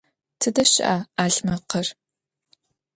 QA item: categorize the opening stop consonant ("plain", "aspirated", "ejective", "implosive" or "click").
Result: aspirated